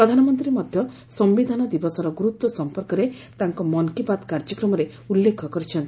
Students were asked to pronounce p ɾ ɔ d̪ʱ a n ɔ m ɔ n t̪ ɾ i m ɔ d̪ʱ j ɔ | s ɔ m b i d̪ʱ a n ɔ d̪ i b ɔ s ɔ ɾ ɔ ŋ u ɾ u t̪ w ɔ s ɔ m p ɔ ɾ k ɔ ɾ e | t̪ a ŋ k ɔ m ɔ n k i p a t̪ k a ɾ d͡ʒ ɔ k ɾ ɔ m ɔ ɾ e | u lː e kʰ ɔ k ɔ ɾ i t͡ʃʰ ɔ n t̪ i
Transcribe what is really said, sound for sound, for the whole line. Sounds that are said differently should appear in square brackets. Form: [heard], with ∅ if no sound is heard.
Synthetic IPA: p ɾ ɔ d̪ʱ a n ɔ m ɔ n t̪ ɾ i m ɔ d̪ʱ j ɔ | s ɔ m b i d̪ʱ a n ɔ d̪ i b ɔ s ɔ ɾ ɔ [ɡ] u ɾ u t̪ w ɔ s ɔ m p ɔ ɾ k ɔ ɾ e | t̪ a ŋ k ɔ m ɔ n k i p a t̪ k a ɾ d͡ʒ ɔ k ɾ ɔ m ɔ ɾ e | u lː e kʰ ɔ k ɔ ɾ i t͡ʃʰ ɔ n t̪ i